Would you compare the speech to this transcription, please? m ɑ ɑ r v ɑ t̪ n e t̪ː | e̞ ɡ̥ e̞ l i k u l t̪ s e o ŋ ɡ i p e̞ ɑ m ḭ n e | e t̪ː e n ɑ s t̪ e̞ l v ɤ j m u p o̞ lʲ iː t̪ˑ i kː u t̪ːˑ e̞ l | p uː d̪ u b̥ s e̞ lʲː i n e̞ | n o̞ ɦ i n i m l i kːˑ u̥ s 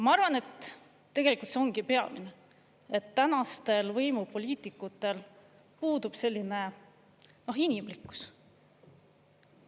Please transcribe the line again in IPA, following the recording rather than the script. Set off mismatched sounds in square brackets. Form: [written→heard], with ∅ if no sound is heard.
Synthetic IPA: m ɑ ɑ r v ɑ [t̪→∅] n e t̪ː | e̞ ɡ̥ e̞ l i k u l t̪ s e o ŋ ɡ i p e̞ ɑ m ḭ n e | e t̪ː [e→æ] n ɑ s t̪ e̞ l v ɤ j m u p o̞ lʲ iː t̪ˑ i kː u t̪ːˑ e̞ l | p uː d̪ u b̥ s e̞ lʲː i n e̞ | n o̞ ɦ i n i m l i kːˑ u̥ s

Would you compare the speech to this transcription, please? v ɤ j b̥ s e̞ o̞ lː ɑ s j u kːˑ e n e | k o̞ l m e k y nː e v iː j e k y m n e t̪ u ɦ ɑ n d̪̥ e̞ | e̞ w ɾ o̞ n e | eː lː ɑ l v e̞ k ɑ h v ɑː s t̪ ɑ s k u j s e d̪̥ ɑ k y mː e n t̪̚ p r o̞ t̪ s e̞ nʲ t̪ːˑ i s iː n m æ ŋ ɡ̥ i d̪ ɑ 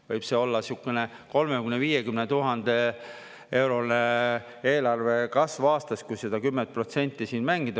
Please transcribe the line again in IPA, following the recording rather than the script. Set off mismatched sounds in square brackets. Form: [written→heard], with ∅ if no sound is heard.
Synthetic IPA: v ɤ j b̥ s e̞ o̞ lː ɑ s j u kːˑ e n e | k o̞ l m e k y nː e v iː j e k y m n e t̪ u ɦ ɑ n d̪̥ e̞ | e̞ w ɾ o̞ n e | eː [lː→l] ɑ [l→r] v e̞ k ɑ [h→s] v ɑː s t̪ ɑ s k u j s e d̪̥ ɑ k y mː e n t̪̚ p r o̞ t̪ s e̞ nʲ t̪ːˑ i s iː n m æ ŋ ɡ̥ i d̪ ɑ

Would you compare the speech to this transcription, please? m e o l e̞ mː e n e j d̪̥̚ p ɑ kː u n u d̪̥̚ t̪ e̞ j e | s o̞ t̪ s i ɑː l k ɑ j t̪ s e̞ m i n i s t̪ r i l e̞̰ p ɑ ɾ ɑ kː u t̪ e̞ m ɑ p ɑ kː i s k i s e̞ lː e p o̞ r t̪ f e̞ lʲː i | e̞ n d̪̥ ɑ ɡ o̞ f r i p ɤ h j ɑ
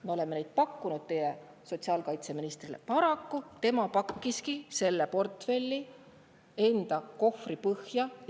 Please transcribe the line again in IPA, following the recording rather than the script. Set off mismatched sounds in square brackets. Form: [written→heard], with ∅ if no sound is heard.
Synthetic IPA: m e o l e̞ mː e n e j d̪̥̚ p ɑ kː u n u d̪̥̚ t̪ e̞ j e | s o̞ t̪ s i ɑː l k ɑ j t̪ s e̞ m i n i s t̪ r i l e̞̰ p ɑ ɾ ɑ kː u t̪ e̞ m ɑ p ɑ kː i s k i s e̞ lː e p o̞ r t̪ f e̞ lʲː i | e̞ n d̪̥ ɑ [ɡ→k] o̞ f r i p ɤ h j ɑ

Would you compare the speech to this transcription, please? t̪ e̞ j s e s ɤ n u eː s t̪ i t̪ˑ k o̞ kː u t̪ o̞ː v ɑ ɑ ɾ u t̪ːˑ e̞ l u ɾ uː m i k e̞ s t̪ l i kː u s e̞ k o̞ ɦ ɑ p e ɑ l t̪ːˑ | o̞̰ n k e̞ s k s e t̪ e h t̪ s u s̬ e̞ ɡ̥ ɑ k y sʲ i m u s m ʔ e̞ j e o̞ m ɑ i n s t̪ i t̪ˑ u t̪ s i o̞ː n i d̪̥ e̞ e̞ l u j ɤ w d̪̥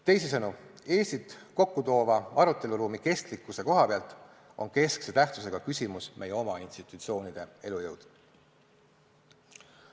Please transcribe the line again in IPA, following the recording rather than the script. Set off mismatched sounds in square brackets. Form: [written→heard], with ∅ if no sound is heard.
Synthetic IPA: t̪ e̞ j s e s ɤ n u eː s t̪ i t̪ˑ k o̞ kː u t̪ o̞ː v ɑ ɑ ɾ u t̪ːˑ e̞ l u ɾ uː m i k e̞ s t̪ l i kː u s e̞ k o̞ ɦ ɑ p e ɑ l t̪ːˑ | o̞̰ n k e̞ s k s e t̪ [e→æ] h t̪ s u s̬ e̞ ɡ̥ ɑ k y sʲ i m u s m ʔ e̞ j e o̞ m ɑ i n s t̪ i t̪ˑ u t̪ s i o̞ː n i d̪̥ e̞ e̞ l u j ɤ w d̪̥

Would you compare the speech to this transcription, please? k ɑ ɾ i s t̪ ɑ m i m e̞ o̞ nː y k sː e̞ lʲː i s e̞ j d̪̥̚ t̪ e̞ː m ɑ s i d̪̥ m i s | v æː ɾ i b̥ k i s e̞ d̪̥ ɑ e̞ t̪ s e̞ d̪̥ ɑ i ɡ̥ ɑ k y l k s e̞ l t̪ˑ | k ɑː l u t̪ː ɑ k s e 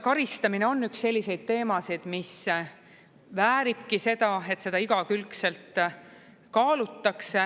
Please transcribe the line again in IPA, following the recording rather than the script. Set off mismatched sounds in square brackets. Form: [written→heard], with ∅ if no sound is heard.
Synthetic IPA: k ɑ ɾ i s t̪ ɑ m i [m→n] e̞ o̞ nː y k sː e̞ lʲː i s e̞ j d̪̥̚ t̪ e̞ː m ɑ s i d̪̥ m i s | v æː ɾ i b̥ k i s e̞ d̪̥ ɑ e̞ t̪ s e̞ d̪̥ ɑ i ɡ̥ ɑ k y l k s e̞ l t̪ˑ | k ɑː l u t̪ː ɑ k s e

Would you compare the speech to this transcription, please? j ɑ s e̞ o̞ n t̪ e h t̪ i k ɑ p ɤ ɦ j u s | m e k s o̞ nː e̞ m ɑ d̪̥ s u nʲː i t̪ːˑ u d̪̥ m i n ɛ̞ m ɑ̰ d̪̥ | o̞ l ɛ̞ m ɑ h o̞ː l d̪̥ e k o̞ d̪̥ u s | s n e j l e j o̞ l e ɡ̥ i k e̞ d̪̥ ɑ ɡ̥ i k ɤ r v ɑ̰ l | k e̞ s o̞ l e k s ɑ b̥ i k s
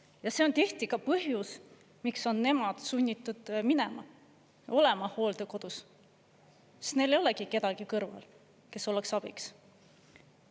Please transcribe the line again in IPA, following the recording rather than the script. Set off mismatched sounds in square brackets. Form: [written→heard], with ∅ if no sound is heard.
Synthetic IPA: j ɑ s e̞ o̞ n t̪ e h t̪ i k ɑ p ɤ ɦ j u s | m [e→i] k s o̞ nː e̞ m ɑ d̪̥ s u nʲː i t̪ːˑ u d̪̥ m i n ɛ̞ m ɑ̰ [d̪̥→∅] | o̞ l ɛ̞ m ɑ h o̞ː l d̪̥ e k o̞ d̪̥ u s | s n e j l e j o̞ l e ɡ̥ i k e̞ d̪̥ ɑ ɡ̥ i k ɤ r v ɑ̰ l | k e̞ s o̞ l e k s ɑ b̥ i k s

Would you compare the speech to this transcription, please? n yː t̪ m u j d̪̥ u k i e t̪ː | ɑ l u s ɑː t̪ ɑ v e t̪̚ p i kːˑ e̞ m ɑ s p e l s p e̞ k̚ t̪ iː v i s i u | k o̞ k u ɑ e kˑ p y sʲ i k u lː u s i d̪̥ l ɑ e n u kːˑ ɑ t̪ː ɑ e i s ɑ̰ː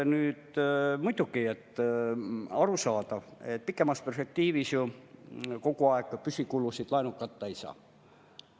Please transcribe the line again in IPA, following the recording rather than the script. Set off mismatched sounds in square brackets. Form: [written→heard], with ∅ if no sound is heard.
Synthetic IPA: n yː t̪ m u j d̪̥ u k i e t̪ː | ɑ [l→ɾ] u s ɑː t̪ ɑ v e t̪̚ p i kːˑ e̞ m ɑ s p e [l→r] s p e̞ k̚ t̪ iː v i s [i→j] u | k o̞ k u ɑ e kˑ p y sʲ i k u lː u s i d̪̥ l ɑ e n u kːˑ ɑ t̪ː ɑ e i s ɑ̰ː

